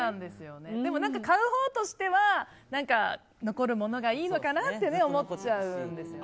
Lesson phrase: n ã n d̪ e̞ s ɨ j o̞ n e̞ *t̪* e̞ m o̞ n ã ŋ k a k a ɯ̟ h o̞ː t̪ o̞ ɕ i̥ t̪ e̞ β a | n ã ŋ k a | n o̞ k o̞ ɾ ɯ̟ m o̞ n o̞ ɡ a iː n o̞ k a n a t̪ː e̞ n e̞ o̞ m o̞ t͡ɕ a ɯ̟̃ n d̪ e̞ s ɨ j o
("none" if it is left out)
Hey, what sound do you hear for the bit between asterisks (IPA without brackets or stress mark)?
d̪